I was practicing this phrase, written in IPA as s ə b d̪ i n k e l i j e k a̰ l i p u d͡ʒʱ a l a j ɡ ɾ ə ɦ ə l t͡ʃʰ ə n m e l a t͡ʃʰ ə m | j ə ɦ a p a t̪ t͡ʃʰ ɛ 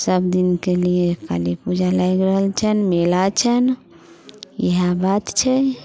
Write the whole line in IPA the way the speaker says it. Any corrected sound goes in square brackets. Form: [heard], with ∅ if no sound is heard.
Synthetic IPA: s ə b d̪ i n k e l i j e k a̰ l i p u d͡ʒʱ a l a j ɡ ɾ ə ɦ ə l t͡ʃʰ ə n m e l a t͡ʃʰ ə [n] | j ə ɦ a [b] a t̪ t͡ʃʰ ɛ